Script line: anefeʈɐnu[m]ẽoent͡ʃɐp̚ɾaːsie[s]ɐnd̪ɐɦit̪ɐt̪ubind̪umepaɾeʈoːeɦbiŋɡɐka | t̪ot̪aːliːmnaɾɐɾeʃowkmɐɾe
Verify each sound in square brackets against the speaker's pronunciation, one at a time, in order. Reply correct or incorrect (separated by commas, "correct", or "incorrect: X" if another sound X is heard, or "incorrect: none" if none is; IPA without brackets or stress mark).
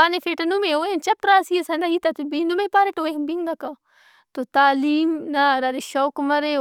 correct, correct